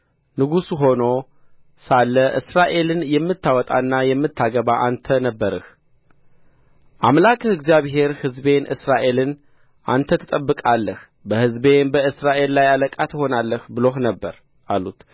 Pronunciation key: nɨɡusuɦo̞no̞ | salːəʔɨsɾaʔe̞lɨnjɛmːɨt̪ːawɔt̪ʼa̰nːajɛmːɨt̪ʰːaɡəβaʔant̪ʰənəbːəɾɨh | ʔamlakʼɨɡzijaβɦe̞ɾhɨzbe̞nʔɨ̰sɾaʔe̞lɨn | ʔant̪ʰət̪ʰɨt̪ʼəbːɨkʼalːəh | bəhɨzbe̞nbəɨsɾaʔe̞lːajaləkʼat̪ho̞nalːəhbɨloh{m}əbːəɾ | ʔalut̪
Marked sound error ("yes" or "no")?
yes